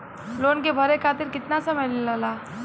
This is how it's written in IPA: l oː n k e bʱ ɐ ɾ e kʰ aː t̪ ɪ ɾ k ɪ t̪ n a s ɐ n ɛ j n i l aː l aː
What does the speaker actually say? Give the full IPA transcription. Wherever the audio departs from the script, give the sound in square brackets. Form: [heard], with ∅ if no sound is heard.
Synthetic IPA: l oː n k e bʱ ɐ ɾ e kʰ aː t̪ ɪ ɾ k ɪ t̪ n a s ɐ [m] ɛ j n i l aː l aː